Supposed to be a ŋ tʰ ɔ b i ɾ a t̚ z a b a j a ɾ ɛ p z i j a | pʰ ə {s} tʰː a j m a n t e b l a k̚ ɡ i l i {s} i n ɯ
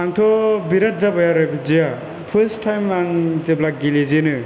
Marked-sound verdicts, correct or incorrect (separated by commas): correct, incorrect